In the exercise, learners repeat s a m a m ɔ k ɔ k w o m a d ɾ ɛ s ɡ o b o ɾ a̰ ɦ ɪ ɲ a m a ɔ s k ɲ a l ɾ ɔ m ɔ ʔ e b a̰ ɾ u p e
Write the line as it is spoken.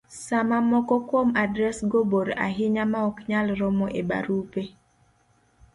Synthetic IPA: s a m a m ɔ k ɔ k w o m a d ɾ ɛ s ɡ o b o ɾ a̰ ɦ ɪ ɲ a m a ɔ k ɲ a l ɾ ɔ m ɔ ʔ e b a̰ ɾ u p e